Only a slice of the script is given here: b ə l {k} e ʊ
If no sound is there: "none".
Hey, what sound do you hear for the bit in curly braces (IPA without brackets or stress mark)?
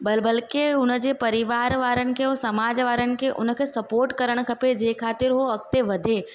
k